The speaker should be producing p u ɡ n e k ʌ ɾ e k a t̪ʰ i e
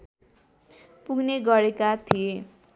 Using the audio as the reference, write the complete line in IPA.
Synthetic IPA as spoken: p u ɡ n e ɡ ʌ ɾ e k a t̪ʰ i e